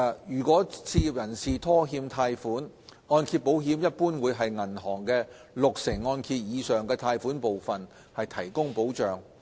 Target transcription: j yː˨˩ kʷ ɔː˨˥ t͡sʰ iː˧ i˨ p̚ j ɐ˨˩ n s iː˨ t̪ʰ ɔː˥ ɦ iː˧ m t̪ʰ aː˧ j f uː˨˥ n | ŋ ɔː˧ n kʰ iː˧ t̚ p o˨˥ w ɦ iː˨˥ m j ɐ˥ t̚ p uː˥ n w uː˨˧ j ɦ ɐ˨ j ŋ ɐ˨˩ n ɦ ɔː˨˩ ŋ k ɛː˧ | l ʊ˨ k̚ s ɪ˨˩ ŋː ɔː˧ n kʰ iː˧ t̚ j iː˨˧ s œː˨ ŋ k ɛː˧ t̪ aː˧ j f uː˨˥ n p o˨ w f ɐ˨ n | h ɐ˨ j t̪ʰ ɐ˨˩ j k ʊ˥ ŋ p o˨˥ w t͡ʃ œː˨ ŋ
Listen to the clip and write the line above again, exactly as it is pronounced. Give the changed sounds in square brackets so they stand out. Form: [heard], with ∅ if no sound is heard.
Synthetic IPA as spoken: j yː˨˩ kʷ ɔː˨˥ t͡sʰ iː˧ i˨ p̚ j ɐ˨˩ n s iː˨ t̪ʰ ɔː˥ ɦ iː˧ m t̪ʰ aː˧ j f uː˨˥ n | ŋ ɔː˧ n kʰ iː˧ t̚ p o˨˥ w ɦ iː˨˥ m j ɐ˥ t̚ p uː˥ n w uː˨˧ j ɦ ɐ˨ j ŋ ɐ˨˩ n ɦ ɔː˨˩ ŋ k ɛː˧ | l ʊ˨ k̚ s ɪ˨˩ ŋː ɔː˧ n kʰ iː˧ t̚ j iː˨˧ s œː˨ ŋ k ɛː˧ [t̪ʰ] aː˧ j f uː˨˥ n p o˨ w f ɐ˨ n | h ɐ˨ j t̪ʰ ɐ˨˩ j k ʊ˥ ŋ p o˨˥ w t͡ʃ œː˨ ŋ